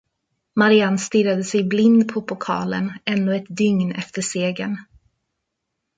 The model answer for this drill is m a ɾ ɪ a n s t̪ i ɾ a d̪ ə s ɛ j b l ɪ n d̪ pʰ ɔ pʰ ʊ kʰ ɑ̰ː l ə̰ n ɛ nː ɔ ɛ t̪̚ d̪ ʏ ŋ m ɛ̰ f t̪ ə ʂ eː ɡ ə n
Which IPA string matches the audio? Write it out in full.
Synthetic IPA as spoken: m a ɾ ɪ a n s t̪ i ɾ a d̪ ə s ɛ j b l ɪ n d̪ pʰ ɔ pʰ ʊ kʰ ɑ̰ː l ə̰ n ɛ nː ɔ ɛ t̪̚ d̪ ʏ ŋ n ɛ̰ f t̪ ə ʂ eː ɡ ə n